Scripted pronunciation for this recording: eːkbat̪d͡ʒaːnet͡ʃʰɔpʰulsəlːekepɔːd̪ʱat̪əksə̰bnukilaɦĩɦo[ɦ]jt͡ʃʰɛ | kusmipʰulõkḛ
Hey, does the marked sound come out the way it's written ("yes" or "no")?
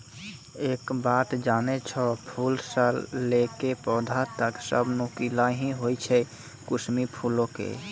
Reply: no